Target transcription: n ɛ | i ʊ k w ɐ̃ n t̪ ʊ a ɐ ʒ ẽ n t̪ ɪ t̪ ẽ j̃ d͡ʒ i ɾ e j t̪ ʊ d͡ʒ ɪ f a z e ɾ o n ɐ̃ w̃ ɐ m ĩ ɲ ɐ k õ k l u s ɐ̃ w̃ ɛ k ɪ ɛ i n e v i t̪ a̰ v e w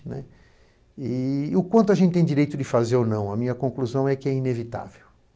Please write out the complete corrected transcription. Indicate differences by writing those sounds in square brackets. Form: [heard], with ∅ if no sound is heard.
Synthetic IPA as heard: n ɛ | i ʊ k w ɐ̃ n t̪ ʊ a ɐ ʒ ẽ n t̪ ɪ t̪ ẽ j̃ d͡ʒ i ɾ e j t̪ ʊ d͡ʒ ɪ f a z e ɾ o n ɐ̃ w̃ ɐ m ĩ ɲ ɐ k õ k l u [z] ɐ̃ w̃ ɛ k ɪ ɛ i n e v i t̪ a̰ v e w